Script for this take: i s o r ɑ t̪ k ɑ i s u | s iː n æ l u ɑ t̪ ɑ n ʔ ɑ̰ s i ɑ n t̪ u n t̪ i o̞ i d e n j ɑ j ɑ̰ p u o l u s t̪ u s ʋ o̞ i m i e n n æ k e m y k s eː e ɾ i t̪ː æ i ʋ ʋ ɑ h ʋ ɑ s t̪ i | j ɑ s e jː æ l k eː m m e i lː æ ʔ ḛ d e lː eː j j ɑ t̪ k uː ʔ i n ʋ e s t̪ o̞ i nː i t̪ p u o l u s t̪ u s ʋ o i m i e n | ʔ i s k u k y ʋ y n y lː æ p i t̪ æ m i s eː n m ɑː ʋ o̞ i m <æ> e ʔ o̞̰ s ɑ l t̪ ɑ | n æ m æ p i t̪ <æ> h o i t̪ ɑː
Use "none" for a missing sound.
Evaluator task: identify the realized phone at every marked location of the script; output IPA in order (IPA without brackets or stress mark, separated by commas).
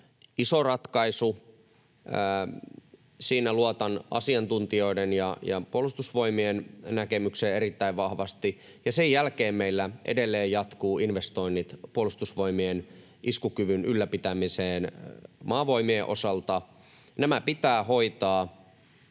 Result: i, æː